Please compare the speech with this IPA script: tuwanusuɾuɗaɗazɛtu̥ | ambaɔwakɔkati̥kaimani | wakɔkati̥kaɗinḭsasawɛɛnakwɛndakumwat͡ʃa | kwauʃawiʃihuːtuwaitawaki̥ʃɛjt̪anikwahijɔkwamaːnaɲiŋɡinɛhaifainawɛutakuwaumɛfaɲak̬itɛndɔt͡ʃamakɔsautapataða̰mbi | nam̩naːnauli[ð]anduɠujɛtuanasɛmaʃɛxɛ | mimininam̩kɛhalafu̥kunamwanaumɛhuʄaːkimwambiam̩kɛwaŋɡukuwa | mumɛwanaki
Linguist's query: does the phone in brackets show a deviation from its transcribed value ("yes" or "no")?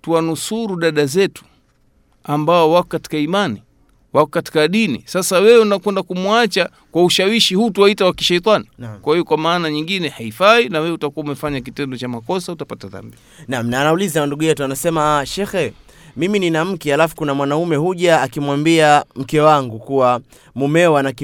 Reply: yes